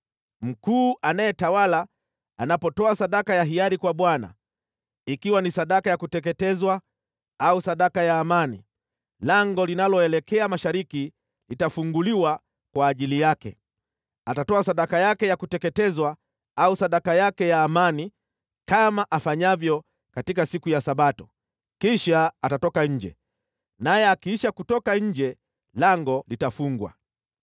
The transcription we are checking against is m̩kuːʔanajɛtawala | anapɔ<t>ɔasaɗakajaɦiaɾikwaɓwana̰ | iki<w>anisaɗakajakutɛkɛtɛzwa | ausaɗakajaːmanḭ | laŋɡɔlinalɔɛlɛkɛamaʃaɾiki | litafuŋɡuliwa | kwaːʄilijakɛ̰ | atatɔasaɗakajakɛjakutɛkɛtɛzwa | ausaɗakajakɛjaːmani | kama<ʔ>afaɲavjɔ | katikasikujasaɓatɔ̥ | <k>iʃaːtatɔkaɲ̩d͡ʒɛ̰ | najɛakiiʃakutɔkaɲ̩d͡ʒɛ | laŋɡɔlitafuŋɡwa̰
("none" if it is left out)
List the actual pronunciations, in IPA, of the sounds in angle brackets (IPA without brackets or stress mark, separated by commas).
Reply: t, w, ʔ, k